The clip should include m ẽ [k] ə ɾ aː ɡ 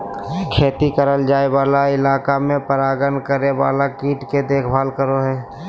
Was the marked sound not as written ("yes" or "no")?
yes